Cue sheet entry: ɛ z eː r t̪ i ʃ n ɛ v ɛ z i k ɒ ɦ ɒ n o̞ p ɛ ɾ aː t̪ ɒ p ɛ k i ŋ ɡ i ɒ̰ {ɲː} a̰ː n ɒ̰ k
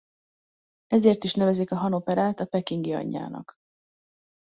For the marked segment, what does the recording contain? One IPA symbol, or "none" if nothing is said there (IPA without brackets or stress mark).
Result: ɲː